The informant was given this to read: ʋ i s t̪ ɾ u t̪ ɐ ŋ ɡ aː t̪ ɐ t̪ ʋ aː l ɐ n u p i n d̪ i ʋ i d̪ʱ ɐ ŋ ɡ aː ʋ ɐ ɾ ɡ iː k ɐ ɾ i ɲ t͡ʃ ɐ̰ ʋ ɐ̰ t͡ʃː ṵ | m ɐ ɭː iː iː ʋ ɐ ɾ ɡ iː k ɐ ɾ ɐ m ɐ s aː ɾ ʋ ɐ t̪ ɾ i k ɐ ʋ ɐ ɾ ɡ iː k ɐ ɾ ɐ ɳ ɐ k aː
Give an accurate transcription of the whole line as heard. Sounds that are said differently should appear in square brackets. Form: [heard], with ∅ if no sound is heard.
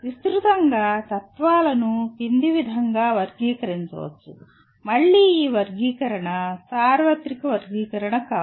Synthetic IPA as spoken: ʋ i s t̪ ɾ u t̪ ɐ ŋ ɡ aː t̪ ɐ t̪ ʋ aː l ɐ n u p i n d̪ i ʋ i d̪ʱ ɐ ŋ ɡ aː ʋ ɐ ɾ ɡ iː k ɐ ɾ i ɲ t͡ʃ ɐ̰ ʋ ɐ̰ t͡ʃː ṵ | m ɐ ɭː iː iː ʋ ɐ ɾ ɡ iː k ɐ ɾ ɐ [ɳ] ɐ s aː ɾ ʋ ɐ t̪ ɾ i k ɐ ʋ ɐ ɾ ɡ iː k ɐ ɾ ɐ ɳ ɐ k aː